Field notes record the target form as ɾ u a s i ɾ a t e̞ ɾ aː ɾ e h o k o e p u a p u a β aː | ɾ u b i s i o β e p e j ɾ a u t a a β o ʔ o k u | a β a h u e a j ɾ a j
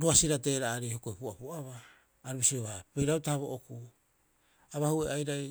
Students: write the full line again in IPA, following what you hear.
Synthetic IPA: ɾ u a s i ɾ a t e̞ ɾ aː ɾ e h o k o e p u a p u a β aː | ɾ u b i s i o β a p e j ɾ a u t a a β o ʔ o k u | a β a h u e a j ɾ a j